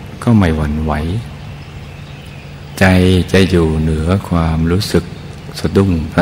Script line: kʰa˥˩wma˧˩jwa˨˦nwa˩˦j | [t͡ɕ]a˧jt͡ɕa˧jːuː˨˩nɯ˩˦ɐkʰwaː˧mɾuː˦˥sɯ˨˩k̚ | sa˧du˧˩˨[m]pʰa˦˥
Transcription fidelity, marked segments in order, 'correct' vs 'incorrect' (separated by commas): correct, incorrect